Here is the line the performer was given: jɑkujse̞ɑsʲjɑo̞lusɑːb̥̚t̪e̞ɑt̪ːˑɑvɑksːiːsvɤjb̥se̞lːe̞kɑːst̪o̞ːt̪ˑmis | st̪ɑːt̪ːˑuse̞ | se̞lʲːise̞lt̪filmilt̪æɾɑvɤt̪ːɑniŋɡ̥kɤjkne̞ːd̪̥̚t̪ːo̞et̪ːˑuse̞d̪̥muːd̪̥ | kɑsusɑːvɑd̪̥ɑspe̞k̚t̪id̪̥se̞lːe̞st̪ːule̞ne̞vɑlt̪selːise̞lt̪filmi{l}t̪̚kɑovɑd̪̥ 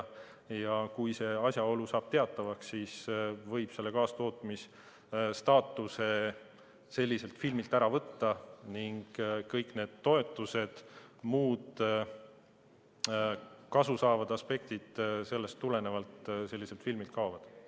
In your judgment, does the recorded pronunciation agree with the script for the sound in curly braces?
yes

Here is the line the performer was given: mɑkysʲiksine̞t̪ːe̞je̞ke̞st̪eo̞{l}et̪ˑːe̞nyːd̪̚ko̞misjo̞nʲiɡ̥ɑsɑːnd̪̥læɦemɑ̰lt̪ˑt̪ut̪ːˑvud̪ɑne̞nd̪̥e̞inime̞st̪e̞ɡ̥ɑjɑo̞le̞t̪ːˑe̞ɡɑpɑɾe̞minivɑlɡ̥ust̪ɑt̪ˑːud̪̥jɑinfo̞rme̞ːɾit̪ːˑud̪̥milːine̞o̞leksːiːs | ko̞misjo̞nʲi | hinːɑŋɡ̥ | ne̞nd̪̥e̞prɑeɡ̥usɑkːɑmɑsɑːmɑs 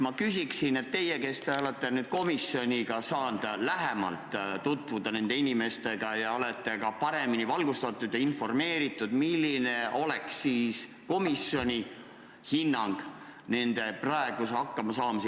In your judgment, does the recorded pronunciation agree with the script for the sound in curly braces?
yes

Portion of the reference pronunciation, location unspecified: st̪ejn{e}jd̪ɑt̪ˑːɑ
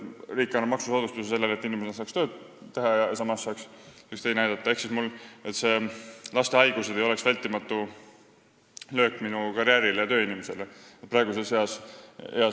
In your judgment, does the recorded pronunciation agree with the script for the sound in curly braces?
no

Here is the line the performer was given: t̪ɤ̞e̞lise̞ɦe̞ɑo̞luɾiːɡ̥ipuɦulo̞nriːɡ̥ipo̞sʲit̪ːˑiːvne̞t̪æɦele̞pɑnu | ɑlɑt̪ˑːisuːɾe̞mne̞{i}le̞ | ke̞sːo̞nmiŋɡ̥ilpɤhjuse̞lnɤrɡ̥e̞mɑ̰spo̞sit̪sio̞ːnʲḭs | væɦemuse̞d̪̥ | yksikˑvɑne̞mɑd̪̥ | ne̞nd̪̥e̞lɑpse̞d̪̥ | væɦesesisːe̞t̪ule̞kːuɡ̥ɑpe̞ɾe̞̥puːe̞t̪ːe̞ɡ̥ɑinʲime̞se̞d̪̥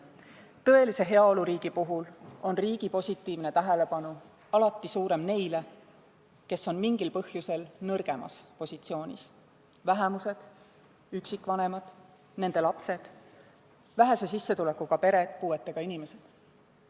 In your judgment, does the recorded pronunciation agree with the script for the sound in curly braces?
no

